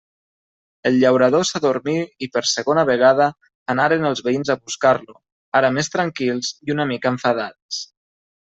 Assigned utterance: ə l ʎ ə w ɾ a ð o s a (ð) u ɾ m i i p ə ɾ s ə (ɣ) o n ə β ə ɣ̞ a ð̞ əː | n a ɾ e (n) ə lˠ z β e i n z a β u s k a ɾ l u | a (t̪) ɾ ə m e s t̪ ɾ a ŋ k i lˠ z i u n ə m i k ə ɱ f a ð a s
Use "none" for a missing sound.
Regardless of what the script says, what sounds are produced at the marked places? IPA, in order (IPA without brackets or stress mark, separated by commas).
ð, ɣ, n, none